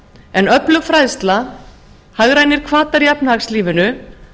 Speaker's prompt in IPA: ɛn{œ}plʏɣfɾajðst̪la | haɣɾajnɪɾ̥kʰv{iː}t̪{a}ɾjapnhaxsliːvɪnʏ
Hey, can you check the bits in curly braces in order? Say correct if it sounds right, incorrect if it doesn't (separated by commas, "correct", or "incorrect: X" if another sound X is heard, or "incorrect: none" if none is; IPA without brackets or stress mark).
correct, incorrect: aː, correct